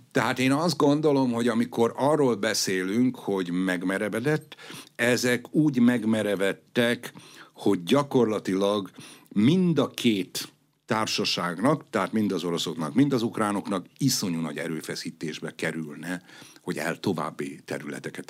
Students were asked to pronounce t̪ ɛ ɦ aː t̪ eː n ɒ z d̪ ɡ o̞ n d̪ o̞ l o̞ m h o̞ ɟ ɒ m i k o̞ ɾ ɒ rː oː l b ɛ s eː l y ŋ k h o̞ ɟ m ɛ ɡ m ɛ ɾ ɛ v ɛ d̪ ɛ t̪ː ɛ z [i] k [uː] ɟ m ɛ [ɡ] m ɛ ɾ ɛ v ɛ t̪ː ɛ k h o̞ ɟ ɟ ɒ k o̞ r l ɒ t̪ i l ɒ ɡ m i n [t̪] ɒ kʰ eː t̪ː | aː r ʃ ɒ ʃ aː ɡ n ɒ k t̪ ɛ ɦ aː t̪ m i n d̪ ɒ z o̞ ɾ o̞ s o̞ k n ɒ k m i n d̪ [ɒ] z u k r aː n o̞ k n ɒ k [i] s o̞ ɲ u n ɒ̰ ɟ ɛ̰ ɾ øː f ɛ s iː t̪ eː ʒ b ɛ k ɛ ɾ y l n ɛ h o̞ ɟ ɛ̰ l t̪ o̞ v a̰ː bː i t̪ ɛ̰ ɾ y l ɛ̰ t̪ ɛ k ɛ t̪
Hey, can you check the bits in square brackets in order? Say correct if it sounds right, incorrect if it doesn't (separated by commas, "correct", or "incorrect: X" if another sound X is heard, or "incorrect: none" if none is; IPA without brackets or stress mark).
incorrect: ɛ, correct, correct, incorrect: d̪, correct, correct